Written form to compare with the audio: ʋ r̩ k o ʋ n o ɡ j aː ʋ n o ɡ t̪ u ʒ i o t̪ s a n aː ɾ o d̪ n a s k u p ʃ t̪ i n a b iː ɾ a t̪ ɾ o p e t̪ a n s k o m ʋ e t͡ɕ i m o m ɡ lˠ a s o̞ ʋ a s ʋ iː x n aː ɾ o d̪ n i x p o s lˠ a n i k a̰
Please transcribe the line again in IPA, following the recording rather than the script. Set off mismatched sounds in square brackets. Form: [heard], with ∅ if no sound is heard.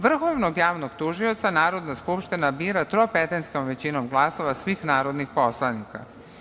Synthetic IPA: ʋ r̩ [x] o ʋ n o ɡ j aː ʋ n o ɡ t̪ u ʒ i o t̪ s a n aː ɾ o d̪ n a s k u p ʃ t̪ i n a b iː ɾ a t̪ ɾ o p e t̪ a n s k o m ʋ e t͡ɕ i [n] o m ɡ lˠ a s o̞ ʋ a s ʋ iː x n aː ɾ o d̪ n i x p o s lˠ a n i k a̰